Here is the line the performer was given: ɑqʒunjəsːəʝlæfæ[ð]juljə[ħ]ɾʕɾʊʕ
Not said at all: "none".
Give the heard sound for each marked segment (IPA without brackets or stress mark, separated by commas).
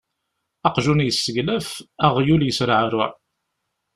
ʁ, s